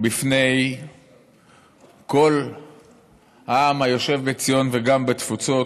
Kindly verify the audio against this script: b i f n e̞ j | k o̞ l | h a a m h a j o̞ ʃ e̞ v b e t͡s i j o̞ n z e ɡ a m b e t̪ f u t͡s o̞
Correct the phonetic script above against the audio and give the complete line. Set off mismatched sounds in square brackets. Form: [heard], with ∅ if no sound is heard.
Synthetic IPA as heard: b i f n e̞ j | k o̞ l | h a a m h a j o̞ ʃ e̞ v b e t͡s i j o̞ n [v] e ɡ a m b e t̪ f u t͡s o̞